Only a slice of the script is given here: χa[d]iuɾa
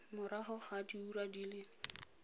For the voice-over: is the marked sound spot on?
yes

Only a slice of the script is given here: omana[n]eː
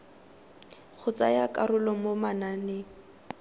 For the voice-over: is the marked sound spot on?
yes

